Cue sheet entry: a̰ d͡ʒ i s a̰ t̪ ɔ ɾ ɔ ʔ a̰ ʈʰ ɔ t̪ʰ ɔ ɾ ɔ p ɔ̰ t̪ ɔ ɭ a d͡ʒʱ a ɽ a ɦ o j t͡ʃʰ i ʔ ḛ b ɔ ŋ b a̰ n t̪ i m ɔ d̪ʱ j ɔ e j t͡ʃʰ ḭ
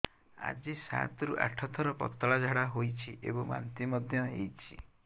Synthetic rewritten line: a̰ d͡ʒ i s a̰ t̪ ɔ ɾ u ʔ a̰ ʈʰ ɔ t̪ʰ ɔ ɾ ɔ p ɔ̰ t̪ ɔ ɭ a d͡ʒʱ a ɽ a ɦ o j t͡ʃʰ i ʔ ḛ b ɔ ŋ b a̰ n t̪ i m ɔ d̪ʱ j ɔ e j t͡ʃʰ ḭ